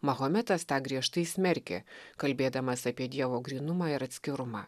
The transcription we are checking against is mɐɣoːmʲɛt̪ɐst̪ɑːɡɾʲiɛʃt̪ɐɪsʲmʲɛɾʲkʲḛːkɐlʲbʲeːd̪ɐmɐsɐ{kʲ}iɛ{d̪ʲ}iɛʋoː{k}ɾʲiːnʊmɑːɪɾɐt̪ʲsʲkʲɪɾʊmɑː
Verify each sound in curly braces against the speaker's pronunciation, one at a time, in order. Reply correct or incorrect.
incorrect: pʲ, correct, incorrect: ɡ

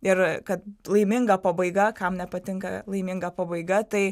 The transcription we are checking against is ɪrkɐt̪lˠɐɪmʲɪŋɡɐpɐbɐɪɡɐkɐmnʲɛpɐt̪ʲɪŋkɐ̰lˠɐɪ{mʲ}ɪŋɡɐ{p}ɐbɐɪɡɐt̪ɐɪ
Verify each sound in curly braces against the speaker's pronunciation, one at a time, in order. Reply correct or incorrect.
correct, correct

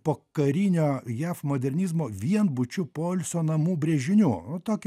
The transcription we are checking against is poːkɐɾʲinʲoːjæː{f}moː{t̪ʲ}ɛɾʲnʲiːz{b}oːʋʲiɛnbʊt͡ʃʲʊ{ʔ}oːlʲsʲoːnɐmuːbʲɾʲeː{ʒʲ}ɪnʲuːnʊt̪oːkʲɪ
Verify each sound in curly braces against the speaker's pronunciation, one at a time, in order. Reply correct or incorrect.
correct, incorrect: d̪ʲ, incorrect: m, incorrect: p, correct

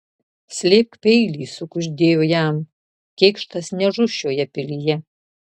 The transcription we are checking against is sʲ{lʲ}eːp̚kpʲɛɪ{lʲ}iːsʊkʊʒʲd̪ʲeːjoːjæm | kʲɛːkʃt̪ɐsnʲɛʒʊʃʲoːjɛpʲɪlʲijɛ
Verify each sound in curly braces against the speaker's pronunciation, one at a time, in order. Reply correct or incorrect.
correct, correct

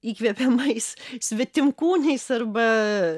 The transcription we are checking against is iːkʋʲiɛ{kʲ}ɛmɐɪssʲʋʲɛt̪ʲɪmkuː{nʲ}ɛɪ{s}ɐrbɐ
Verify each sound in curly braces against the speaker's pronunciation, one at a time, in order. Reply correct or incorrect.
incorrect: pʲ, correct, correct

